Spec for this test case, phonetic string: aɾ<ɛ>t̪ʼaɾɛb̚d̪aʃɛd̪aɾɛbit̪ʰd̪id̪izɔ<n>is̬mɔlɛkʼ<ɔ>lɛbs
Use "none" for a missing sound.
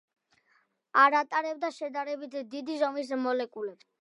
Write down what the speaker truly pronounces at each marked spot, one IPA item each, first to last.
a, m, u

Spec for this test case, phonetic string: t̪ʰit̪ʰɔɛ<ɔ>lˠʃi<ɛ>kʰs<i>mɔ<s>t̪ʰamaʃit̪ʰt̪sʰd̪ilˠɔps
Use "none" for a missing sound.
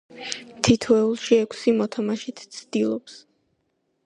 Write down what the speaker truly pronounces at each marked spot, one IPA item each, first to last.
u, ɛ, i, none

